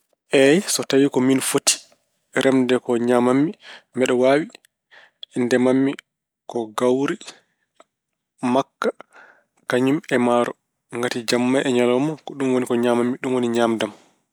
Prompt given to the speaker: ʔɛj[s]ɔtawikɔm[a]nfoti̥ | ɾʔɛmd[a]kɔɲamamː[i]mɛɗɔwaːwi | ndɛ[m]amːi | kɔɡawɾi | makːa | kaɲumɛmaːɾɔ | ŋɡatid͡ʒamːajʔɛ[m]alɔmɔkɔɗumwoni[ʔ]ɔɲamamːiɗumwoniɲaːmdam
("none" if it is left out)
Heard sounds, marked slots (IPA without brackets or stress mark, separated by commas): s, i, ɛ, i, m, ɲ, k